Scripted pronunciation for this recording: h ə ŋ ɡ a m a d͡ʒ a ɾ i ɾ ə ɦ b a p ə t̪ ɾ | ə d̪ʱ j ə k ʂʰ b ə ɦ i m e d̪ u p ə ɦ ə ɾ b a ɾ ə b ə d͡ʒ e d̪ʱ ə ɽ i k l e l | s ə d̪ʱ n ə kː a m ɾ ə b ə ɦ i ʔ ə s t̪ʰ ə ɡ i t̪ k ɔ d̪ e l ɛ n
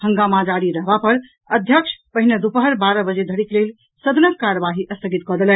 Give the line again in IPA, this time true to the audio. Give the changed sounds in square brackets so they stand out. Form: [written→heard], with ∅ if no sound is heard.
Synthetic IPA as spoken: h ə ŋ ɡ a m a d͡ʒ a ɾ i ɾ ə ɦ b a p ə [t̪→∅] ɾ | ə d̪ʱ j ə k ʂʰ [b→p] ə ɦ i [m→n] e d̪ u p ə ɦ ə ɾ b a ɾ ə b ə d͡ʒ e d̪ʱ ə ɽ i k l e l | s ə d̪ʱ n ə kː a [m→∅] ɾ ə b [ə→a] ɦ i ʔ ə s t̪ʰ ə ɡ i t̪ k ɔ d̪ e l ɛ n